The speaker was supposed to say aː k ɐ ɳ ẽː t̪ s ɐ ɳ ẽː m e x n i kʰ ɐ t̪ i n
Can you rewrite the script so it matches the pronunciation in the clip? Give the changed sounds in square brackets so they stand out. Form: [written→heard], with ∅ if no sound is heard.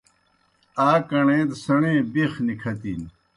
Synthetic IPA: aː k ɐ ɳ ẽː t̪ s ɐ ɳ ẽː [m→b] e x n i kʰ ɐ t̪ i n